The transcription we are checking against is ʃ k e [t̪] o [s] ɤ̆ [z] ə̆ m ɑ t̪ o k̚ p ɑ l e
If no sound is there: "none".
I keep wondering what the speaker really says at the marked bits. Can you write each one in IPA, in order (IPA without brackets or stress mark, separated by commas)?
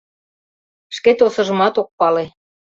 t̪, s, ʒ